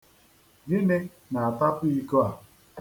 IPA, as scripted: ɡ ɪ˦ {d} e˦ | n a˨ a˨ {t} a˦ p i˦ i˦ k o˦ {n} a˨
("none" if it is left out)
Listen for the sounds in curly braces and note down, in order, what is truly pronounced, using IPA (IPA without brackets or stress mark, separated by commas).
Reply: n, t, none